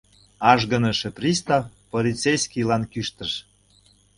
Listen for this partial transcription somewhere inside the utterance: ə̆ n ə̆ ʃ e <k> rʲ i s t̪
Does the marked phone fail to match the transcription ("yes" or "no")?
yes